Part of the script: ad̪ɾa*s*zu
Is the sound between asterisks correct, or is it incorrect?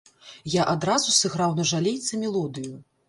incorrect